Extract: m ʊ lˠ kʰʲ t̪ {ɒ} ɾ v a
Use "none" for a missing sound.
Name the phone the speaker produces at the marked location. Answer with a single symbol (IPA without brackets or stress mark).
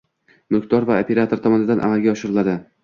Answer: ɒ